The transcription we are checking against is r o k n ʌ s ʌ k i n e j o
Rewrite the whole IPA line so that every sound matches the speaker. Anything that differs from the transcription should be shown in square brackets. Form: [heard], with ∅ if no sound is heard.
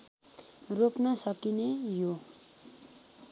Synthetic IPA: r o [p] n ʌ s ʌ k i n e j o